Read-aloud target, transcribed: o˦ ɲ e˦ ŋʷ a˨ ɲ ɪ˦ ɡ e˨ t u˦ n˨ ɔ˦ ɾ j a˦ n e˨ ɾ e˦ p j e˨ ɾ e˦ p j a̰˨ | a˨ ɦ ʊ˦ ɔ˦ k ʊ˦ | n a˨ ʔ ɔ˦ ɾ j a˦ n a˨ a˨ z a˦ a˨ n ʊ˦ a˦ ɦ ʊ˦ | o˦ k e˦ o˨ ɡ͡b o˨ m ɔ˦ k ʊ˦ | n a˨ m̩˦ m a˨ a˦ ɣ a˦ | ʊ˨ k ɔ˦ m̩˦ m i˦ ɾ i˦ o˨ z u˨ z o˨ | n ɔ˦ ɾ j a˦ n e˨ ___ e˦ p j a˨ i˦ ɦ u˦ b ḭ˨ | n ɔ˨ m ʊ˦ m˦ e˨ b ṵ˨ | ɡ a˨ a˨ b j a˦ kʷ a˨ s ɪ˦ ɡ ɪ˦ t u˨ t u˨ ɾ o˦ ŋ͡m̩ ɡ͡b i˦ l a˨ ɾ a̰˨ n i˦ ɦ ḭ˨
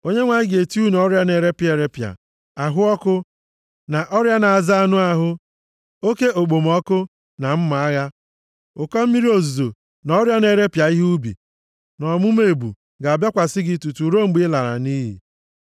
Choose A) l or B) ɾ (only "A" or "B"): B